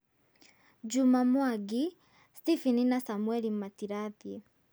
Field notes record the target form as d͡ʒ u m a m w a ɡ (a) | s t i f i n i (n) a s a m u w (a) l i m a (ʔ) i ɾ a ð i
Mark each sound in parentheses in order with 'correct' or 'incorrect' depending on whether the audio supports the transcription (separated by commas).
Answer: incorrect, correct, incorrect, incorrect